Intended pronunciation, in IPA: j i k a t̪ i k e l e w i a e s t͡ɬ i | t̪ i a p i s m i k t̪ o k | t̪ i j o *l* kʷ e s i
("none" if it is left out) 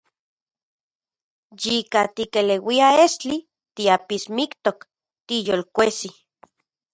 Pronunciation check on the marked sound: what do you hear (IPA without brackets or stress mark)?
l